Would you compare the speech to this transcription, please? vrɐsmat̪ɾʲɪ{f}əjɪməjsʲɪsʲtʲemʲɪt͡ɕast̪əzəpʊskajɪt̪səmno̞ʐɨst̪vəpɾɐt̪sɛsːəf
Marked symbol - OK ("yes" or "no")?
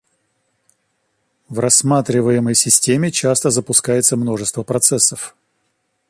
no